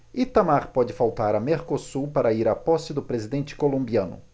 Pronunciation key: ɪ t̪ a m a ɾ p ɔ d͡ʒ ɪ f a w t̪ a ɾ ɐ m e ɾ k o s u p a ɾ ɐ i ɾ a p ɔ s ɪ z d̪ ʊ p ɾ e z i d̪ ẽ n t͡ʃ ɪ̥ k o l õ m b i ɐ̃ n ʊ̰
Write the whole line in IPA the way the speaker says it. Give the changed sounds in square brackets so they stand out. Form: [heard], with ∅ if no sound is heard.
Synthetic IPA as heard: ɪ t̪ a m a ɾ p ɔ d͡ʒ ɪ f a w t̪ a ɾ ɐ m e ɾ k o s u p a ɾ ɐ i ɾ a p ɔ s ɪ [∅] d̪ ʊ p ɾ e z i d̪ ẽ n t͡ʃ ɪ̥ k o l õ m b i ɐ̃ n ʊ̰